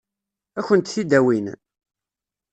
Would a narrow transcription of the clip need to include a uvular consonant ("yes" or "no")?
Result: no